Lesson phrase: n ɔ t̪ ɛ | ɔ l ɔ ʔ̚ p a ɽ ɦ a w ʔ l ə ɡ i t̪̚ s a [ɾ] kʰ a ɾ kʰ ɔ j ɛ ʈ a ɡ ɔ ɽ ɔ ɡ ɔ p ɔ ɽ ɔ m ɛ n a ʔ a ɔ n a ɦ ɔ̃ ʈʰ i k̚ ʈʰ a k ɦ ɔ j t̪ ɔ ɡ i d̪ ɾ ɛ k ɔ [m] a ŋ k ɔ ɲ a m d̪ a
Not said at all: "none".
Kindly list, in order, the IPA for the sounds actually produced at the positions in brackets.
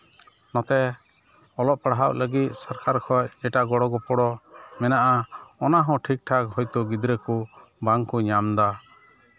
ɾ, b

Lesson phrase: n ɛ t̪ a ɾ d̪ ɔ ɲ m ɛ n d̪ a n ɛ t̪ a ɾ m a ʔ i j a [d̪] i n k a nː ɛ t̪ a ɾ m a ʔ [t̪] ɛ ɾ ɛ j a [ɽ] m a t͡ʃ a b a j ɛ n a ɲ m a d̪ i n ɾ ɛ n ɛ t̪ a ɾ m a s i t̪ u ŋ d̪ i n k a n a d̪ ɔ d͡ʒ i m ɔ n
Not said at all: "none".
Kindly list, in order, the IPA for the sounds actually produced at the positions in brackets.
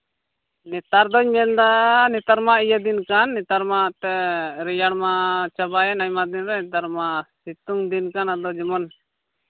d̪, t̪, ɽ

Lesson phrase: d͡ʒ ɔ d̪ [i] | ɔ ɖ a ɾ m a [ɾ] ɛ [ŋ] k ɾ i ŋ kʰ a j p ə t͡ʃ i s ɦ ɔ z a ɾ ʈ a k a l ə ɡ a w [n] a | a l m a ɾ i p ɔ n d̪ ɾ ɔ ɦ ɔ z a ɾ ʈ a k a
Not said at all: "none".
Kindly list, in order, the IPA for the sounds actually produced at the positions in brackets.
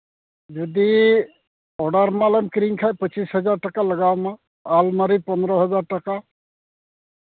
i, l, m, m

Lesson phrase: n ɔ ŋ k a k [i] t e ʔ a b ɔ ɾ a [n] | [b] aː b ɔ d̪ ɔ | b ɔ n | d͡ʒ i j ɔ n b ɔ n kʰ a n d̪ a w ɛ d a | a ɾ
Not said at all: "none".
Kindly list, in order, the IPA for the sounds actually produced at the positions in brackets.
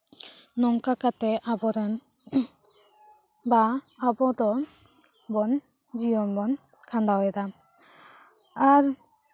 a, n, b

